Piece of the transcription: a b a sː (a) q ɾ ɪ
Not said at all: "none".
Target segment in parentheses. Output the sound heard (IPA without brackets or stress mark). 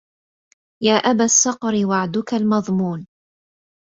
ɑ